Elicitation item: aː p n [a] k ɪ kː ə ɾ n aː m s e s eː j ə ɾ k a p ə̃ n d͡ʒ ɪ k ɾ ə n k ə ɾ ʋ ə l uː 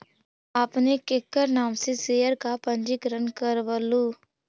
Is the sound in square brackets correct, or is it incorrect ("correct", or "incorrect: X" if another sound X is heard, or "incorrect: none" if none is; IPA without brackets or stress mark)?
incorrect: e